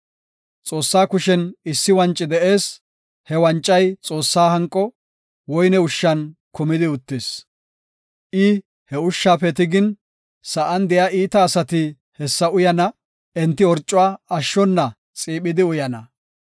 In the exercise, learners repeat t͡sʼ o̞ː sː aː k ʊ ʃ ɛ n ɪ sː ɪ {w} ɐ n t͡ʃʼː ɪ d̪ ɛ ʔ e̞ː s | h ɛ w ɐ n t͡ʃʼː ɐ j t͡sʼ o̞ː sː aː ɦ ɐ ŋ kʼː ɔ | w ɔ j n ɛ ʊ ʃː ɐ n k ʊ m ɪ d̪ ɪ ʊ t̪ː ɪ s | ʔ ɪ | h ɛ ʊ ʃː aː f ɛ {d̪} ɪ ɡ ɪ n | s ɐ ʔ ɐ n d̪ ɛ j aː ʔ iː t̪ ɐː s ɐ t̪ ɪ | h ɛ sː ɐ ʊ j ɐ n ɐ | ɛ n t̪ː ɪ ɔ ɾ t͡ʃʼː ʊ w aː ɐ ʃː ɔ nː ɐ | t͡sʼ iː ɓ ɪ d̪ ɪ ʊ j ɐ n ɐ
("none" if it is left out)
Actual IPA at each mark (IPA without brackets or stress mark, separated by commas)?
w, t̪